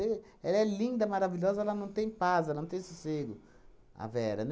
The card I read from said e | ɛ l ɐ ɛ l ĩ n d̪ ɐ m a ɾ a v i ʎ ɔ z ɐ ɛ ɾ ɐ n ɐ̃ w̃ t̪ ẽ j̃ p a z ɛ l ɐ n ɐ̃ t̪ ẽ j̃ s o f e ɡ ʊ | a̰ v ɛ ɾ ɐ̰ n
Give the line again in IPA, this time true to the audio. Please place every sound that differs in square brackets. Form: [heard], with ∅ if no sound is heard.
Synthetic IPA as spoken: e | ɛ l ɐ ɛ l ĩ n d̪ ɐ m a ɾ a v i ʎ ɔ z ɐ ɛ [l] ɐ n ɐ̃ w̃ t̪ ẽ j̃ p a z ɛ l ɐ n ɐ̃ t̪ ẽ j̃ s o [s] e ɡ ʊ | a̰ v ɛ ɾ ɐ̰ n